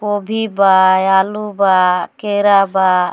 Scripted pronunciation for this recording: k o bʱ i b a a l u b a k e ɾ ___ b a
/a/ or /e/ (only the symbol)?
a